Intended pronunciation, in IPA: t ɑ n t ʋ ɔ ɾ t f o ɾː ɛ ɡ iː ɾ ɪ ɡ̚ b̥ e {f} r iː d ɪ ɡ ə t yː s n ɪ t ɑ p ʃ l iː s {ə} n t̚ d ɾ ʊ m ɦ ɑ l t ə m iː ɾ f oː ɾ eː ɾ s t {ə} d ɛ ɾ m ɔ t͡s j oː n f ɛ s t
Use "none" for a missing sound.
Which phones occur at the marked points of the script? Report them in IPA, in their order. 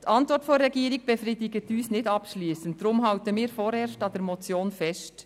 f, ə, ɑ

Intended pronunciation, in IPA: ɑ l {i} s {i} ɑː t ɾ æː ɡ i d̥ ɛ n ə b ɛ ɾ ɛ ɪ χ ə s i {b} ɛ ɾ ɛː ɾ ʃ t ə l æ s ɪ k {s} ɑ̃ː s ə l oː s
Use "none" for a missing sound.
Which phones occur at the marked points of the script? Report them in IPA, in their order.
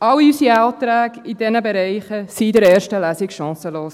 y, i, d, ʃ

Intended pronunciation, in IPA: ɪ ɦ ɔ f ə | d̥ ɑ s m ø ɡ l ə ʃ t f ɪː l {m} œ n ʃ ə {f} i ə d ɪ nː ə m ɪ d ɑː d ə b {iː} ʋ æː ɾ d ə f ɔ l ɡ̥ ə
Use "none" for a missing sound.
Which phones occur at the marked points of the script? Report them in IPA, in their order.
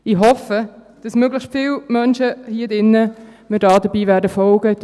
m, h, iː

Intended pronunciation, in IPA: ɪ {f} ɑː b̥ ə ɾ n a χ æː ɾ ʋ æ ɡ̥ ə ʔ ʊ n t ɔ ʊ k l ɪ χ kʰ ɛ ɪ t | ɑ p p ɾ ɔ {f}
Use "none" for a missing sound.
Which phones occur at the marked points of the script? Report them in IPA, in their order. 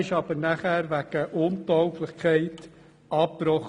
ʃ, χ

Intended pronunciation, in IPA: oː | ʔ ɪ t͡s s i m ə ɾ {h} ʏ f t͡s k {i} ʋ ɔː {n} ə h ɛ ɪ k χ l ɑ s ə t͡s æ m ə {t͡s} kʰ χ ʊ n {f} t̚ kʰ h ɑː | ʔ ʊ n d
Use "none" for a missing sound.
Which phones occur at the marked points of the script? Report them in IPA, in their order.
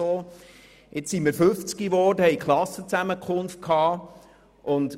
f, i, d, none, f

